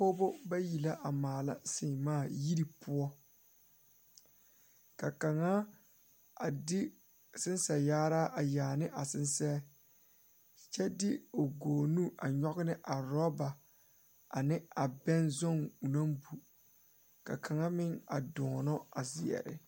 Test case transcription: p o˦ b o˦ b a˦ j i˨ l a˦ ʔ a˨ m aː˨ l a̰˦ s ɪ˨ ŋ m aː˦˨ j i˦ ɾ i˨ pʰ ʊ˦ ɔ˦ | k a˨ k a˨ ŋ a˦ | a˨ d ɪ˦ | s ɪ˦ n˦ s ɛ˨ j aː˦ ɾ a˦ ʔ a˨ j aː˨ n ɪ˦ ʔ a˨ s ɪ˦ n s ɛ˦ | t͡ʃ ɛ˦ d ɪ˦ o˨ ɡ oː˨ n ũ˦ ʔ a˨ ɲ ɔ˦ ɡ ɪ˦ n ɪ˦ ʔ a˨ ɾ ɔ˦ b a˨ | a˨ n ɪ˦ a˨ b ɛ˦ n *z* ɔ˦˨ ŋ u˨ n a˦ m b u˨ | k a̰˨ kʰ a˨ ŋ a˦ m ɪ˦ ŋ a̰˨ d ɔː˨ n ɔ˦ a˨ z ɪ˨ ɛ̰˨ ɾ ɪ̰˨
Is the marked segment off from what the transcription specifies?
no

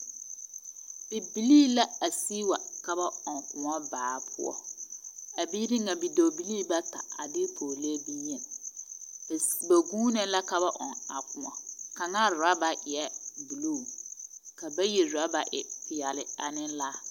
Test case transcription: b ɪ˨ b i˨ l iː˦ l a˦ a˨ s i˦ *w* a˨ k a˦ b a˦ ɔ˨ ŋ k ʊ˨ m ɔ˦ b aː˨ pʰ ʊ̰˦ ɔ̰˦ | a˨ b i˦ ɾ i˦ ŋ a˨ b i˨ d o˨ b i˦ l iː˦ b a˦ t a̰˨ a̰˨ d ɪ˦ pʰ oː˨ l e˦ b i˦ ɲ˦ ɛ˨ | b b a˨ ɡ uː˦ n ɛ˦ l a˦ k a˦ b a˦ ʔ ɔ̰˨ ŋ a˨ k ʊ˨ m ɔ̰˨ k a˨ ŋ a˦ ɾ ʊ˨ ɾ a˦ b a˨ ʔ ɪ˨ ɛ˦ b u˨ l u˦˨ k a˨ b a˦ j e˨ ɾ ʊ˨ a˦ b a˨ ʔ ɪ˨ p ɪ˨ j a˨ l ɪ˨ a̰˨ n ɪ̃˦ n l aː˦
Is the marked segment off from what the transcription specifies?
no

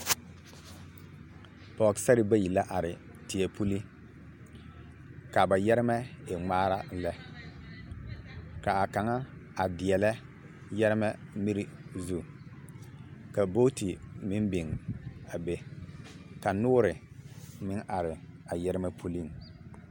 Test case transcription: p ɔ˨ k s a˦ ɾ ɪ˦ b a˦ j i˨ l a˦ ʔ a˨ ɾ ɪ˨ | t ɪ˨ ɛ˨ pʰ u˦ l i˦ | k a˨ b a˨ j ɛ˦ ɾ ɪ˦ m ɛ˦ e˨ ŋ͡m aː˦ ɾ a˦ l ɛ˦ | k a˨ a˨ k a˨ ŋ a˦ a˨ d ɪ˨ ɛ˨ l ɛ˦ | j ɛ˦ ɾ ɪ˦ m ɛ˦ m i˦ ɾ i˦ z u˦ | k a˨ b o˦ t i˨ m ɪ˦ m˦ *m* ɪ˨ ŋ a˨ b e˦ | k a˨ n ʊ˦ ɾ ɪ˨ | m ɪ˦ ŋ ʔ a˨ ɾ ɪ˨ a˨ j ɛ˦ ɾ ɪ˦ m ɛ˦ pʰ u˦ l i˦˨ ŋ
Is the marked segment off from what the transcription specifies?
yes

